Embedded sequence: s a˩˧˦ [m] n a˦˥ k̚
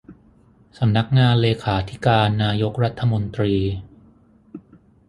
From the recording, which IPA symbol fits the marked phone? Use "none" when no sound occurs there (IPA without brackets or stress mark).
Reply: m